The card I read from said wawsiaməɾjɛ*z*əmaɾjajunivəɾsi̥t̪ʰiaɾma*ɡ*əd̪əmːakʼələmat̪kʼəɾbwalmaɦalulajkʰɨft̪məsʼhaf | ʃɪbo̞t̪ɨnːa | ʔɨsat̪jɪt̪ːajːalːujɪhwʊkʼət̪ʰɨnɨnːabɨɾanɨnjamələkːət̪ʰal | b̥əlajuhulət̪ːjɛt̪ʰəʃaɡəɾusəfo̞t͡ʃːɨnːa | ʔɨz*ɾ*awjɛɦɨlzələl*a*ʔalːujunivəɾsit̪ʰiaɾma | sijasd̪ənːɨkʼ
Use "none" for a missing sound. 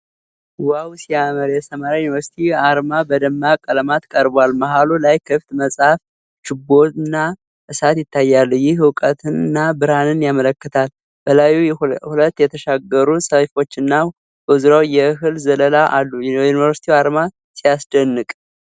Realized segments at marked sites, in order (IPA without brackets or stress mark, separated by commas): s, b, ɾ, a